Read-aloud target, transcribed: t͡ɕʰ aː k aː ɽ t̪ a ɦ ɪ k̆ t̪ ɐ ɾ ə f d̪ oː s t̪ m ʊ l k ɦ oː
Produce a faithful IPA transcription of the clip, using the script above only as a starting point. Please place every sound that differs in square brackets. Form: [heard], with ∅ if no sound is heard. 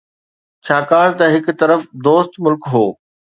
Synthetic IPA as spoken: t͡ɕʰ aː k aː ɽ t̪ [ɐ] ɦ ɪ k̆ t̪ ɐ ɾ ə f d̪ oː s t̪ m ʊ l k ɦ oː